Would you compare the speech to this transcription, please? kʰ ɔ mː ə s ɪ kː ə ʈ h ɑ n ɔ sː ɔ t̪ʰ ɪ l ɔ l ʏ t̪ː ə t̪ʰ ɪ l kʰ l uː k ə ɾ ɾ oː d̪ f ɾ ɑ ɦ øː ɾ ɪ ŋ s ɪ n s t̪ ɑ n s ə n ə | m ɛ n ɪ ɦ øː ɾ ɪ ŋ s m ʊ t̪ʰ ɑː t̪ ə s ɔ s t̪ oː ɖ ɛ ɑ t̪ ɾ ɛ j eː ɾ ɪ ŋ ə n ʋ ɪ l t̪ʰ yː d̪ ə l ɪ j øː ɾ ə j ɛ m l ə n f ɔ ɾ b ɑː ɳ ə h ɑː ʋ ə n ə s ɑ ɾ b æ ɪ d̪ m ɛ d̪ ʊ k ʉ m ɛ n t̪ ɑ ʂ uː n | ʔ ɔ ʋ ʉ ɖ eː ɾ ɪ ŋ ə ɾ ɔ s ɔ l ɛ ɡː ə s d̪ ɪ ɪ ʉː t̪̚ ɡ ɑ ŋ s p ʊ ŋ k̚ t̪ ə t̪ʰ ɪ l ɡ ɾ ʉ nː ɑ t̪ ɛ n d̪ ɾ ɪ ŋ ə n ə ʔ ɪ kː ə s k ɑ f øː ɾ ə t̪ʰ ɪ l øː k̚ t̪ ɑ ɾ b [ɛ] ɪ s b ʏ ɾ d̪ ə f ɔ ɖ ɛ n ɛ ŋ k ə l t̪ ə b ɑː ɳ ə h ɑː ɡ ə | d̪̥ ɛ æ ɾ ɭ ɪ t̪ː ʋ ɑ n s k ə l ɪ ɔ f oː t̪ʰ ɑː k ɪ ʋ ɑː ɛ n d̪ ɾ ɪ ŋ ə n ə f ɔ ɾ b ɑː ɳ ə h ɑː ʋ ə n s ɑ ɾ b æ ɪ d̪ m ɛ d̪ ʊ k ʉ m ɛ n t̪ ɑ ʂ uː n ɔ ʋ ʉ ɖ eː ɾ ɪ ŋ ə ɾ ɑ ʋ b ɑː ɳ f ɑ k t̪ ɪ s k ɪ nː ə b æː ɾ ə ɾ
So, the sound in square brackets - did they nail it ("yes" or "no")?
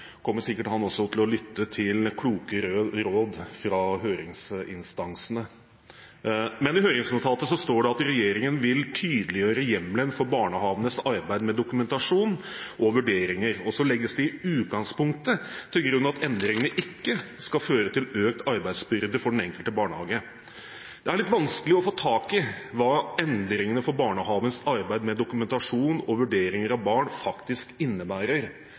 no